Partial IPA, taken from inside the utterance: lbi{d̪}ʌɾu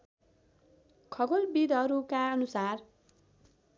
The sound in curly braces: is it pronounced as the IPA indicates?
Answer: yes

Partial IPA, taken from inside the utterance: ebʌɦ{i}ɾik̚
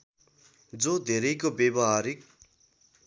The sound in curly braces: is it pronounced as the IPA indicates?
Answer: no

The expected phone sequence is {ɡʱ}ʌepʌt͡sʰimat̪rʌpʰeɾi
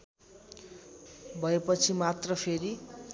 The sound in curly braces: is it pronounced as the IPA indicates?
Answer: no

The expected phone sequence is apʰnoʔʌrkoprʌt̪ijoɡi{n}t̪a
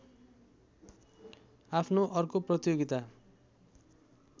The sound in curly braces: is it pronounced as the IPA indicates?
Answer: no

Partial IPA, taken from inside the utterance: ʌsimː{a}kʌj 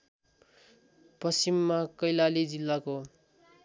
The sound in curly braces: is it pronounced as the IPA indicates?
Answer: yes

